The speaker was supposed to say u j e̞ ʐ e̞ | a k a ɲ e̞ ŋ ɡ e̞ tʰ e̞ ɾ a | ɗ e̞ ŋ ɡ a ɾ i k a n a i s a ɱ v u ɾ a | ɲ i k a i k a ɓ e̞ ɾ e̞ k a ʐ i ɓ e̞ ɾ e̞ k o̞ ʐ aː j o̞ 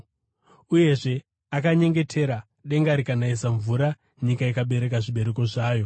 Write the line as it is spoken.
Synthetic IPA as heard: u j e̞ ʐ e̞ | a k a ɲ e̞ ŋ ɡ e̞ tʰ e̞ ɾ a | ɗ e̞ ŋ ɡ a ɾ i k a n a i s a ɱ v u ɾ a | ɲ i k a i k a ɓ e̞ ɾ e̞ k a ʐ i ɓ e̞ ɾ e̞ k o̞ ʐ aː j o̞